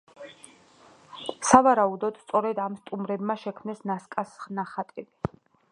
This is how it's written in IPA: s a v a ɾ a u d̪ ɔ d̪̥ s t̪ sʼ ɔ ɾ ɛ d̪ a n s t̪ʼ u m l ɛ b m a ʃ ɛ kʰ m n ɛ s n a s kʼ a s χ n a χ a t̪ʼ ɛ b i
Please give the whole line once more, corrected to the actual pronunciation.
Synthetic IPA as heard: s a v a ɾ a u d̪ ɔ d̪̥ s t̪ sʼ ɔ ɾ ɛ d̪ a m s t̪ʼ u m ɾ ɛ b m a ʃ ɛ kʰ m n ɛ s n a s kʼ a s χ n a χ a t̪ʼ ɛ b i